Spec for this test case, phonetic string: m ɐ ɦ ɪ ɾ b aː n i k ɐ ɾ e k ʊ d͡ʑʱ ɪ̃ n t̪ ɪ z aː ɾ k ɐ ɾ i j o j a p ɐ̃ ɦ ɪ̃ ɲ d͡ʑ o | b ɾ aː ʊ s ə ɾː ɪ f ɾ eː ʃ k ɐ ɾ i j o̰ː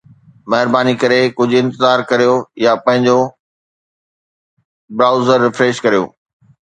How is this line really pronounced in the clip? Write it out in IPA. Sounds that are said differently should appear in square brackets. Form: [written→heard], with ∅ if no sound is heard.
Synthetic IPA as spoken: m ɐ ɦ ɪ ɾ b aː n i k ɐ ɾ e k ʊ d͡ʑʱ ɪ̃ n t̪ ɪ z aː ɾ k ɐ ɾ i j o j a p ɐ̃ ɦ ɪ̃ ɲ d͡ʑ o | b ɾ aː ʊ [s→z] ə ɾː ɪ f ɾ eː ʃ k ɐ ɾ i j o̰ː